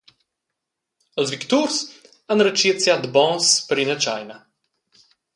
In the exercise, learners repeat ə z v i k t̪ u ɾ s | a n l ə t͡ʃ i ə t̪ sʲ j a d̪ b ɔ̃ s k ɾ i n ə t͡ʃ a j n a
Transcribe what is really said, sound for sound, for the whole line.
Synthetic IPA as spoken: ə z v i k t̪ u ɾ s | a n ɾ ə t͡ʃ i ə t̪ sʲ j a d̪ b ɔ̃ s p ɾ i n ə t͡ʃ a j n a